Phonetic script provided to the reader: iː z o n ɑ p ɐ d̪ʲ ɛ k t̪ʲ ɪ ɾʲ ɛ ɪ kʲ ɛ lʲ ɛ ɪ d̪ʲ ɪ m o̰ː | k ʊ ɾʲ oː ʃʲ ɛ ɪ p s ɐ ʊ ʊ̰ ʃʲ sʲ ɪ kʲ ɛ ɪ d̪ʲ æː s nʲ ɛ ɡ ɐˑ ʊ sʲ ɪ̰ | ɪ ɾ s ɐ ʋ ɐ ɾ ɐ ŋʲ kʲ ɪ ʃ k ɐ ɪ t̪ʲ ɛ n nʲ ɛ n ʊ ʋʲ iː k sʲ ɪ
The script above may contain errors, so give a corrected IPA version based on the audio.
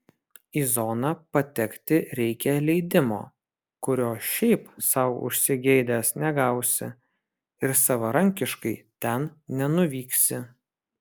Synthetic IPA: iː z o n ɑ p ɐ t̪ʲ ɛ k t̪ʲ ɪ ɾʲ ɛ ɪ kʲ ɛ lʲ ɛ ɪ d̪ʲ ɪ m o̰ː | k ʊ ɾʲ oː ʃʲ ɛ ɪ p s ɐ ʊ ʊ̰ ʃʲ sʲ ɪ ɡʲ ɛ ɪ d̪ʲ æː s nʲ ɛ ɡ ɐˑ ʊ sʲ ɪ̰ | ɪ ɾ s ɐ ʋ ɐ ɾ ɐ ŋʲ kʲ ɪ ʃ k ɐ ɪ t̪ʲ ɛ n nʲ ɛ n ʊ ʋʲ iː k sʲ ɪ